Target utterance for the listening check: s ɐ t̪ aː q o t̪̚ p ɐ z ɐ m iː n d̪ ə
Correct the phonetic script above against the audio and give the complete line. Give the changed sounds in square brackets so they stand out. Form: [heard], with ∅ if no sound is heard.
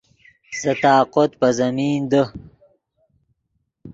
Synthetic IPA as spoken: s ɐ t̪ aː q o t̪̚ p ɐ z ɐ m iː n d̪ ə